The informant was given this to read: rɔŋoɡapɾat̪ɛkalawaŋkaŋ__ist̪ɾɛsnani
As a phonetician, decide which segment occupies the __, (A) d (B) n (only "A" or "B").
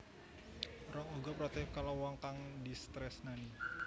A